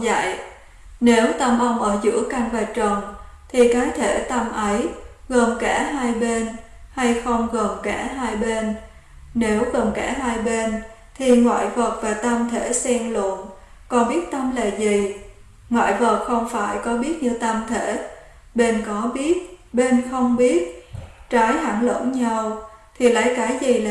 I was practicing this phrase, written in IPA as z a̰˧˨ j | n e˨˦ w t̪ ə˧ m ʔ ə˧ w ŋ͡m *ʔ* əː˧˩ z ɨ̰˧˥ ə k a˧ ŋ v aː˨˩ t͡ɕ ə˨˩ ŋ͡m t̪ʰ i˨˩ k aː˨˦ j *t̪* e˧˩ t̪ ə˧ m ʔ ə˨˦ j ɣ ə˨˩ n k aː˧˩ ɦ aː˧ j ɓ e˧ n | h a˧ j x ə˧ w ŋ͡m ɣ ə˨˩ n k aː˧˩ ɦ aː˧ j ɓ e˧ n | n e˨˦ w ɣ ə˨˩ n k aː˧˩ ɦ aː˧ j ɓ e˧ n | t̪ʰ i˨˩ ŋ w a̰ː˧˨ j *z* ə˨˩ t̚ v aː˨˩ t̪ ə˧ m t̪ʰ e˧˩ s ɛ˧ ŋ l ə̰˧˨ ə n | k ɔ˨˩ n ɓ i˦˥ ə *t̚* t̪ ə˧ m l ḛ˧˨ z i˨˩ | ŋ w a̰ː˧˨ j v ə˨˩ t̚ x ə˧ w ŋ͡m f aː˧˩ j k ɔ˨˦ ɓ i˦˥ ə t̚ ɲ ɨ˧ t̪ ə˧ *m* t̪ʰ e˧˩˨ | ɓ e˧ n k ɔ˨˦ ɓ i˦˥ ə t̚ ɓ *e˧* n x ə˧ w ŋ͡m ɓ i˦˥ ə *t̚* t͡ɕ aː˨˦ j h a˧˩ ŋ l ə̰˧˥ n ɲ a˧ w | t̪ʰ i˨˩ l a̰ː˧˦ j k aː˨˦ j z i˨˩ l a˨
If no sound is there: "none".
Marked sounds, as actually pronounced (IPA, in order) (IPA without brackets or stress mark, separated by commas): ʔ, t̪ʰ, v, t̚, m, e˧, t̚